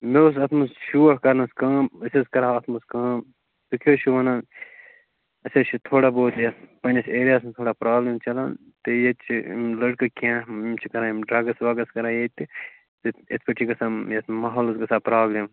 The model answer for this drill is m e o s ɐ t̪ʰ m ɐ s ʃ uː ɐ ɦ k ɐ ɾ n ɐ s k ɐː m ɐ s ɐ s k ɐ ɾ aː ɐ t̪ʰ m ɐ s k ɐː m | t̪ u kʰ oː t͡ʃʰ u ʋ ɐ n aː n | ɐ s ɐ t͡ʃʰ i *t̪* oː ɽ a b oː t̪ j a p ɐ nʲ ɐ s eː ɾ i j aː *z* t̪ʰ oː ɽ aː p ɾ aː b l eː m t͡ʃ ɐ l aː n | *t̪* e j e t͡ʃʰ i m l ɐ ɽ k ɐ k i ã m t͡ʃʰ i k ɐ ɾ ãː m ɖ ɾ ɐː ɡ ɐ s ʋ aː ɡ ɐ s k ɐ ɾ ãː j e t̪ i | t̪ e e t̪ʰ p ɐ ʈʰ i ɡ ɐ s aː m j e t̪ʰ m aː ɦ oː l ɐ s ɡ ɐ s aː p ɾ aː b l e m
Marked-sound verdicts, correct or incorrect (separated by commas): incorrect, incorrect, correct